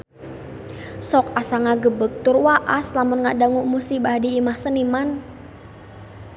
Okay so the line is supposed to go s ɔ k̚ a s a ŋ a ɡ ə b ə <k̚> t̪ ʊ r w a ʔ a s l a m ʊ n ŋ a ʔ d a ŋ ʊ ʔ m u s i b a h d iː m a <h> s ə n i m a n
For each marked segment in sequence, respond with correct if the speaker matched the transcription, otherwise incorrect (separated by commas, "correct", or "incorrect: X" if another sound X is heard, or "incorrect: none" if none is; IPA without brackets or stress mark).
correct, correct